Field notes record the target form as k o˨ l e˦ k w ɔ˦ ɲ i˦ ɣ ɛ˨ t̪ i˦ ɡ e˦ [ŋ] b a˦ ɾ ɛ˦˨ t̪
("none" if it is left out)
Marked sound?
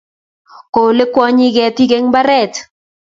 ŋ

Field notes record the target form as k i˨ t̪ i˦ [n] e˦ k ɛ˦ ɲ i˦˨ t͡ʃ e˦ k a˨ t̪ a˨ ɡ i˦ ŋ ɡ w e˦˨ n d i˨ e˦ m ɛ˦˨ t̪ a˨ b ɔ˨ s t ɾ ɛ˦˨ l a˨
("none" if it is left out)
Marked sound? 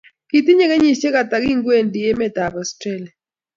ɲ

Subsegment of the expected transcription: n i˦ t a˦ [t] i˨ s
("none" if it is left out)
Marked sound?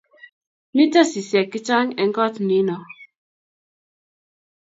s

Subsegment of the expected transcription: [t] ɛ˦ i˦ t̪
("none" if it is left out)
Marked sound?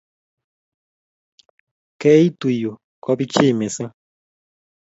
k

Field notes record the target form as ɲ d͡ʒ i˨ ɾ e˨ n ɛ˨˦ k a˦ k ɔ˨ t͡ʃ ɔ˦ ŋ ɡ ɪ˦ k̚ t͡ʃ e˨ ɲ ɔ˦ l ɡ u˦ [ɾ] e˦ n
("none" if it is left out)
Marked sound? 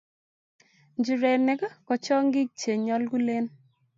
l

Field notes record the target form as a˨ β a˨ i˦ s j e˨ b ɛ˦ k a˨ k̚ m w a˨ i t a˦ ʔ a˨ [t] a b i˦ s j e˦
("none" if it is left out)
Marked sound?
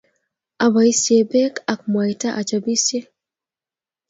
t͡ʃ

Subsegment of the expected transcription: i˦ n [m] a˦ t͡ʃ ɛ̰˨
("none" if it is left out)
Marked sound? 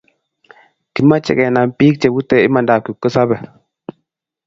m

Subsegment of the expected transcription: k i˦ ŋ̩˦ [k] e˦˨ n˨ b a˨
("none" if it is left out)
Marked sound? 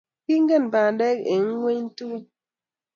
ɡ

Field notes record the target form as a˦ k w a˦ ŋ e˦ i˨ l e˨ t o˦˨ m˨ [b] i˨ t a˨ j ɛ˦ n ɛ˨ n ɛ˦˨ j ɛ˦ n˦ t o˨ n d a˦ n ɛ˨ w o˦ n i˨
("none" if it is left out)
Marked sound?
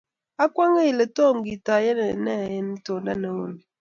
ɡ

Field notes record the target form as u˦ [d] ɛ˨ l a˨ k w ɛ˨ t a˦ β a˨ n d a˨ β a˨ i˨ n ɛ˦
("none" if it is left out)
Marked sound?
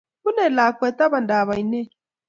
n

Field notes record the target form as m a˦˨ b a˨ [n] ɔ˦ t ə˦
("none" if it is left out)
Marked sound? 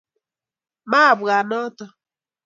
n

